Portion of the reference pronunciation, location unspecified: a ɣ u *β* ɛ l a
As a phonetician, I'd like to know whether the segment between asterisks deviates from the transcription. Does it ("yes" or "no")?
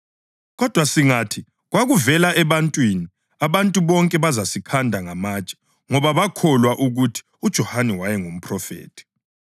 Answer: yes